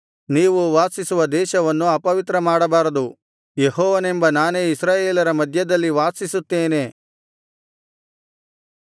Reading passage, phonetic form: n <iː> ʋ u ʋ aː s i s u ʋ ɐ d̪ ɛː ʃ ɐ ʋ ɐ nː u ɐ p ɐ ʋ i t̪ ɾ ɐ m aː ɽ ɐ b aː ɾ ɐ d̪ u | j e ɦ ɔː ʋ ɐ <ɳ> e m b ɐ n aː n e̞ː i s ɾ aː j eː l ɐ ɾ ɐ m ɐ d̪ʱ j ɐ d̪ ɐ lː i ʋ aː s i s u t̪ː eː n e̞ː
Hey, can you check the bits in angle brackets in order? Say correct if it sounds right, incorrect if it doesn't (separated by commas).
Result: correct, incorrect